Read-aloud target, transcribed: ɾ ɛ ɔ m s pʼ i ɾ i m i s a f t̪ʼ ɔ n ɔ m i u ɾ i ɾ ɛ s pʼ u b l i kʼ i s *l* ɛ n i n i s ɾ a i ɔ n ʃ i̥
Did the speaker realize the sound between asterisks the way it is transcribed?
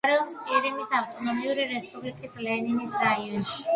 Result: yes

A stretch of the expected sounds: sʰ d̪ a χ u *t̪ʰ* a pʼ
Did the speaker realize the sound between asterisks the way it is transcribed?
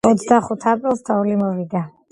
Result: yes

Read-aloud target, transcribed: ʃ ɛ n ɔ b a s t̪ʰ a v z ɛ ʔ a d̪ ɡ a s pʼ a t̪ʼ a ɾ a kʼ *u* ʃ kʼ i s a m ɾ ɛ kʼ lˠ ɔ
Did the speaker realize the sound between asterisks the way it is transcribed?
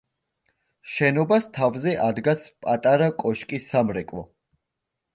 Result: no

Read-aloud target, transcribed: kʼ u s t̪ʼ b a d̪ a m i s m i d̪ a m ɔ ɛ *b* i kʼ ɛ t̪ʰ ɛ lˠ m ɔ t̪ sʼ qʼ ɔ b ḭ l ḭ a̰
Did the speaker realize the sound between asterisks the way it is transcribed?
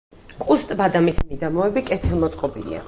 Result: yes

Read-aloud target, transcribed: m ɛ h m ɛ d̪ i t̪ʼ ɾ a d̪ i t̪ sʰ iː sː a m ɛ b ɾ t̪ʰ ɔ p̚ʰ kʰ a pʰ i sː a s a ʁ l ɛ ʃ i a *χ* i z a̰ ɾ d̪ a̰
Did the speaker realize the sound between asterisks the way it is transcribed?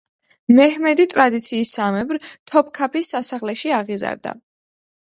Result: no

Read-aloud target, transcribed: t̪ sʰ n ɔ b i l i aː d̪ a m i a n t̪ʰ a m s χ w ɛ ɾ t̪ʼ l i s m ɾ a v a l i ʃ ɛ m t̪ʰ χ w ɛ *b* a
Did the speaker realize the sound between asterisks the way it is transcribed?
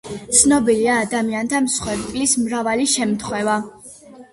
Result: no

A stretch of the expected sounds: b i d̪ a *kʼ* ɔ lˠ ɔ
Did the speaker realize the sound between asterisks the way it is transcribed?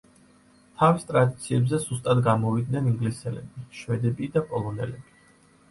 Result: no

